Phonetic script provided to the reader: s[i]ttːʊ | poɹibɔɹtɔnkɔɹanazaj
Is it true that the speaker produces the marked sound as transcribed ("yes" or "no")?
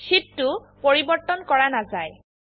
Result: yes